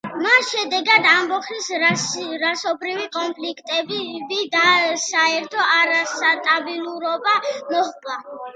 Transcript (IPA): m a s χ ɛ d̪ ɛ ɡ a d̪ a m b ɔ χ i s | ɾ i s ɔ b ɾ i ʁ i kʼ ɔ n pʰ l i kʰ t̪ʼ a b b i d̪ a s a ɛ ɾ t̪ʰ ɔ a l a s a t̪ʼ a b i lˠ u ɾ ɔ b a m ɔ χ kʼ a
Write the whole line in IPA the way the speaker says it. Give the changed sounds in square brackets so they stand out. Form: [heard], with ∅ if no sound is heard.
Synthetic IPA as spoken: m a s [ʃ] ɛ d̪ ɛ ɡ a d̪ a m b ɔ χ i s | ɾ [a] s ɔ b ɾ i [v] i kʼ ɔ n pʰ l i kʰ t̪ʼ [ɛ] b b i d̪ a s a ɛ ɾ t̪ʰ ɔ a [ɾ] a s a t̪ʼ a b i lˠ u ɾ ɔ b a m ɔ χ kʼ a